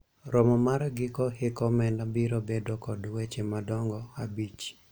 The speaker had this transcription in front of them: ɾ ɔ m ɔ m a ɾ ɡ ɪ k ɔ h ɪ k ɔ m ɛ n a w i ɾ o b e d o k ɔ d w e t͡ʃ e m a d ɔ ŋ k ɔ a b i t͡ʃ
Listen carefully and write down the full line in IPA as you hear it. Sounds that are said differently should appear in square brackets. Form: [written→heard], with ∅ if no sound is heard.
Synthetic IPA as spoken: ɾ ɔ m ɔ m a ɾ ɡ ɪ k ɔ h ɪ k ɔ m ɛ n a [w→b] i ɾ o b e d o k ɔ d w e t͡ʃ e m a d ɔ ŋ [k→ɡ] ɔ a b i t͡ʃ